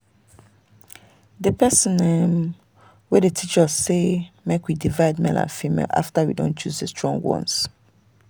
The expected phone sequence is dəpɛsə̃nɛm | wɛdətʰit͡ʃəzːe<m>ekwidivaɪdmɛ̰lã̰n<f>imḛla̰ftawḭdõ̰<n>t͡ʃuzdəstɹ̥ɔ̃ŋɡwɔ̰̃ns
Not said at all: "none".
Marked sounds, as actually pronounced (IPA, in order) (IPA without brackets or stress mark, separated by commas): m, f, n